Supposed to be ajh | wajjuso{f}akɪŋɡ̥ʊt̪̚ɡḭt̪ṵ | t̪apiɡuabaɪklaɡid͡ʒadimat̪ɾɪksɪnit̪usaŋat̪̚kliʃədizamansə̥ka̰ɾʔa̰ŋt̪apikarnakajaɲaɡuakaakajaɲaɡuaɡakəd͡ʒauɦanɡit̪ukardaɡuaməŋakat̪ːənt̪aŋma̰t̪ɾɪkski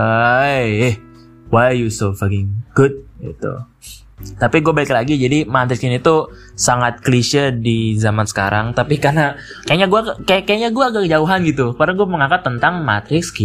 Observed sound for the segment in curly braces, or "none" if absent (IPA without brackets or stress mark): f